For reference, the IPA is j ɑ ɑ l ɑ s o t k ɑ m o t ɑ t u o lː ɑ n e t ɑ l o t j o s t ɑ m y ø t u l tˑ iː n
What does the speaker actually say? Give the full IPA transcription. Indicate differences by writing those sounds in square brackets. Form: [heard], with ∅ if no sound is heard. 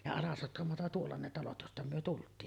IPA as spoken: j ɑ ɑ l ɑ s o t k ɑ m o t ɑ t u o lː ɑ n e t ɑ l o t j o s t ɑ m y ø t u l tˑ iː n